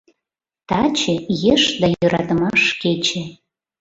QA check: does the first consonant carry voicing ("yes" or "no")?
no